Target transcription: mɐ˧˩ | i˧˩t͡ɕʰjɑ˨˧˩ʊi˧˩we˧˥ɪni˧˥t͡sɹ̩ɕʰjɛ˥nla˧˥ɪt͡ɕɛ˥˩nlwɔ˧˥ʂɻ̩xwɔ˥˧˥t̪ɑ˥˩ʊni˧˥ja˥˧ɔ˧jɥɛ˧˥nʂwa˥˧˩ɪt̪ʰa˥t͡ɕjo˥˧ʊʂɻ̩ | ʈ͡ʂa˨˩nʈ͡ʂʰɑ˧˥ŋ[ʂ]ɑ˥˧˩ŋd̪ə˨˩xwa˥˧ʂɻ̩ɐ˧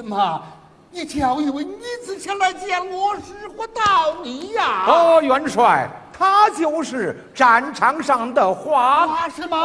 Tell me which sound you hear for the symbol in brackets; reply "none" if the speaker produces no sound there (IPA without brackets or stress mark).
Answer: ʂ